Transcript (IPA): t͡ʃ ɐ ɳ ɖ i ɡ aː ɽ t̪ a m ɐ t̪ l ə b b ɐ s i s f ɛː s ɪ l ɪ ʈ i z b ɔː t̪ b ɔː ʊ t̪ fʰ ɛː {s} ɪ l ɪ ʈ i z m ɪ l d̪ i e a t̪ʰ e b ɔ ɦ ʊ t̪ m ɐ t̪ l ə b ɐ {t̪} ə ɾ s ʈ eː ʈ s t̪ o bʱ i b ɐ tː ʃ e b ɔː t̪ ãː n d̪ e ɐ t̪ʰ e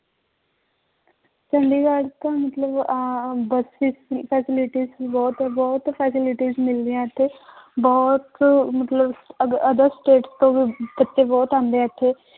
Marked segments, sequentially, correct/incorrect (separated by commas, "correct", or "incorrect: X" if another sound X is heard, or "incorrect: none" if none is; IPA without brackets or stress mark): correct, incorrect: d̪